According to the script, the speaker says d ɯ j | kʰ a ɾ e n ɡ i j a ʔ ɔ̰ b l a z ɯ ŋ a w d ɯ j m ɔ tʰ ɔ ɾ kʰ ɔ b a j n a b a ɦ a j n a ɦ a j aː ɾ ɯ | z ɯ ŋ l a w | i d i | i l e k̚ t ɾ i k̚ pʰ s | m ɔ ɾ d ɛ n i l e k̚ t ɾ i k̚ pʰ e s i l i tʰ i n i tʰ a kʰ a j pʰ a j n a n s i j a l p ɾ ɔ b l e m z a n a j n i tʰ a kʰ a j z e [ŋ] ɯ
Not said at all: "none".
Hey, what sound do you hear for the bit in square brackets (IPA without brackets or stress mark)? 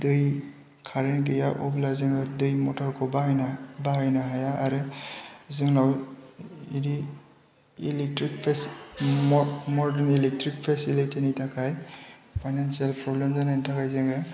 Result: ŋ